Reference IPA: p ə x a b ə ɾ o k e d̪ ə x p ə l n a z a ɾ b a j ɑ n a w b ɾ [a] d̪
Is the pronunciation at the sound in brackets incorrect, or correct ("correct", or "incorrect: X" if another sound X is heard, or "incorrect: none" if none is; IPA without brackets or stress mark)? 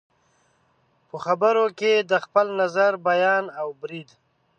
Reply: incorrect: i